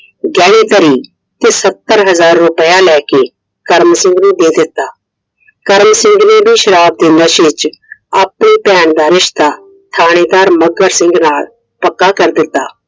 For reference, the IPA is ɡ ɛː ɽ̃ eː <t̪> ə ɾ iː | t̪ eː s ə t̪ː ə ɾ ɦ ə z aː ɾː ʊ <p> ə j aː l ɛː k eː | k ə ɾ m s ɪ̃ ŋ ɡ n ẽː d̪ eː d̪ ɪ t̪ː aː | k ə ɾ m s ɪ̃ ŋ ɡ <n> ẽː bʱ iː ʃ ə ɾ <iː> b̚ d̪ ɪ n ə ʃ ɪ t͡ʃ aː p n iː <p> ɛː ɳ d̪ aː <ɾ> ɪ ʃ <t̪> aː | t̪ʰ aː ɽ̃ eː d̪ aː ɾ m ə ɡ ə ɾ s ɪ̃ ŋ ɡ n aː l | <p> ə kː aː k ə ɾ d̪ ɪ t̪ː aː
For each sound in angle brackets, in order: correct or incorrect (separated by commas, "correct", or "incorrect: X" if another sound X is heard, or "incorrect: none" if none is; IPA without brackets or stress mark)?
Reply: correct, correct, correct, incorrect: aː, correct, correct, correct, correct